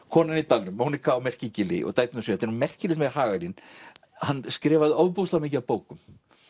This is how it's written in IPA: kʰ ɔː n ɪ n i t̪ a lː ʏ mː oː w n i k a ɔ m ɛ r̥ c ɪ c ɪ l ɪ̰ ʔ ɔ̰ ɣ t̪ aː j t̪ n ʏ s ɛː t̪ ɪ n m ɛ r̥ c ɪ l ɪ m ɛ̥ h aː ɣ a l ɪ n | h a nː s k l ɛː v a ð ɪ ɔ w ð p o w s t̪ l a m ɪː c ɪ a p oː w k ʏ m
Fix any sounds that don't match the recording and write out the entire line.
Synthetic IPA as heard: kʰ ɔː n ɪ n i t̪ a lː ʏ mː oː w n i k a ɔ m ɛ r̥ c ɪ c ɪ l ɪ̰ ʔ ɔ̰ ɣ t̪ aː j t̪ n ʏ s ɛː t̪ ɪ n m ɛ r̥ c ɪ l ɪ m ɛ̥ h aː ɣ a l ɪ n | h a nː s k ɾ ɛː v a ð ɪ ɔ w ð p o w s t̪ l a m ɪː c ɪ a p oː w k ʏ m